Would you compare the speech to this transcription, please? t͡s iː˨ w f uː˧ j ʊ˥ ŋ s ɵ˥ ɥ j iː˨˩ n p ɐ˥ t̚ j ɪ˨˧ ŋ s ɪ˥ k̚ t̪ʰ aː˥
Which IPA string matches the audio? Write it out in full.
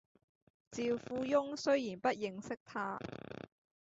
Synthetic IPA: t͡s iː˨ w f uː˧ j ʊ˥ ŋ s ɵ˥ ɥ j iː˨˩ n p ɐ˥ t̚ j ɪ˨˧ ŋ s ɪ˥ k̚ t̪ʰ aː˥